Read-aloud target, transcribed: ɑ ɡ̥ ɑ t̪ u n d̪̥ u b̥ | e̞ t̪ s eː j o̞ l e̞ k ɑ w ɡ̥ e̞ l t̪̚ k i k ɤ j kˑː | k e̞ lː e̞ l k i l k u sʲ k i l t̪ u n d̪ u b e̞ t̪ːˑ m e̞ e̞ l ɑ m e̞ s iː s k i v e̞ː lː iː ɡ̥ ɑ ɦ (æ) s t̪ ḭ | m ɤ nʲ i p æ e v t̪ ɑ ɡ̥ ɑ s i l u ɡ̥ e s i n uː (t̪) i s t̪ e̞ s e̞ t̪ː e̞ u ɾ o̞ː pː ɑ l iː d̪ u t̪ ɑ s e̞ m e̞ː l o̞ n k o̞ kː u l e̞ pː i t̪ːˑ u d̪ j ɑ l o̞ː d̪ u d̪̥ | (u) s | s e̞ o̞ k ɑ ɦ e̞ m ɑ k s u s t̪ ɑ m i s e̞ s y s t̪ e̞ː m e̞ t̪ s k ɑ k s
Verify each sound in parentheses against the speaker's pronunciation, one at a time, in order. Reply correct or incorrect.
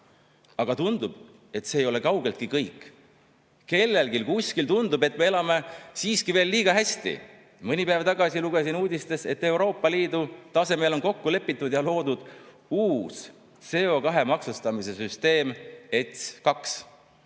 correct, incorrect, incorrect

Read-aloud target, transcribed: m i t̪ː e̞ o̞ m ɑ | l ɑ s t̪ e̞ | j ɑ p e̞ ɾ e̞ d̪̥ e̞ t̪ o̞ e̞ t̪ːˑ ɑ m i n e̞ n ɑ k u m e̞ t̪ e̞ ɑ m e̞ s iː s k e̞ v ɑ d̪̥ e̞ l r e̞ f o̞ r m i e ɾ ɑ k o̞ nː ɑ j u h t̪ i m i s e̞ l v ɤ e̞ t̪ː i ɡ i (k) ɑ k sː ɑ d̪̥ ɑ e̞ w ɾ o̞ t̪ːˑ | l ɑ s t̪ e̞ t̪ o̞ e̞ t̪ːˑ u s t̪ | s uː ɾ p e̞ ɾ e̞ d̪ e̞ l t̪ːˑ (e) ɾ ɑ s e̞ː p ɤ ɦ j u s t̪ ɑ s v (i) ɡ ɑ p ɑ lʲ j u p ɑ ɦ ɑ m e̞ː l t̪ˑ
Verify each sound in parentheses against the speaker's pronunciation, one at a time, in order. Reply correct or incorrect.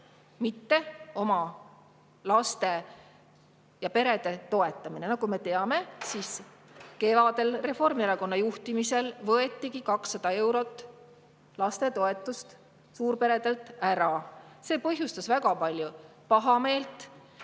correct, incorrect, incorrect

